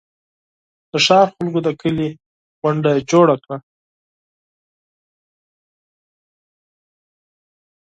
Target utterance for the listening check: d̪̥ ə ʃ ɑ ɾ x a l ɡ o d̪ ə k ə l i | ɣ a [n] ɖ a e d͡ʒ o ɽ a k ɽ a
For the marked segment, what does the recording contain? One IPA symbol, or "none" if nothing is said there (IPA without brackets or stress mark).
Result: ɳ